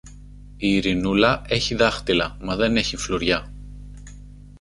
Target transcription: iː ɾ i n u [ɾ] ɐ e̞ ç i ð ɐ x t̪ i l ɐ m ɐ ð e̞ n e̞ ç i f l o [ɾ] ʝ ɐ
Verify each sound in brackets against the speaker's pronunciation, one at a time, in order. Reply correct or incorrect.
incorrect: l, correct

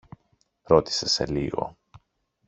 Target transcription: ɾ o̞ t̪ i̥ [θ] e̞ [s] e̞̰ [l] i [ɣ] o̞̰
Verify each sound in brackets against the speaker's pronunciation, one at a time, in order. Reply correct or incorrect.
incorrect: s, correct, correct, correct

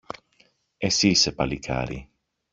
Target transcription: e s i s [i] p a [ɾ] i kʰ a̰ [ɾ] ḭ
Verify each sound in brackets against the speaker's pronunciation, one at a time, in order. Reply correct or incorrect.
incorrect: e, incorrect: l, correct

